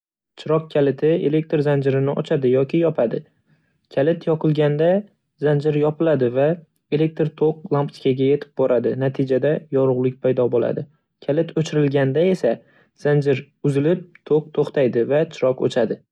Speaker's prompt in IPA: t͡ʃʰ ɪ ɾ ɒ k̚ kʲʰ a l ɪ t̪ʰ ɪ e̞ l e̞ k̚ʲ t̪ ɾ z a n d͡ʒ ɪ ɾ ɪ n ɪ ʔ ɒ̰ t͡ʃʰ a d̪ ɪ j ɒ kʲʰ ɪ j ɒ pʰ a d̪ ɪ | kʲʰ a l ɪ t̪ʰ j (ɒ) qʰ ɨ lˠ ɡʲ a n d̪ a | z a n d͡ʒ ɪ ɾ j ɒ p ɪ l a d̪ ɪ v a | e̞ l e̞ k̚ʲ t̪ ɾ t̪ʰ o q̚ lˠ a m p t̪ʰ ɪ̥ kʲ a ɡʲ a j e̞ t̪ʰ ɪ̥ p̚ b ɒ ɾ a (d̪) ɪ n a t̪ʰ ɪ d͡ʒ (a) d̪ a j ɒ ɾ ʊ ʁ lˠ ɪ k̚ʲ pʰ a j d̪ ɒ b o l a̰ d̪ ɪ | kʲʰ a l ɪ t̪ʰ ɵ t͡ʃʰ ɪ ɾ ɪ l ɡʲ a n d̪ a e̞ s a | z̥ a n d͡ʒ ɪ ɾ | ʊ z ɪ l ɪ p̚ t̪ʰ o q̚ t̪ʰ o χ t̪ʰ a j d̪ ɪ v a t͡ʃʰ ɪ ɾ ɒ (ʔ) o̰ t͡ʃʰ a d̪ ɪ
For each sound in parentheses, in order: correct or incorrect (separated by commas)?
correct, correct, correct, incorrect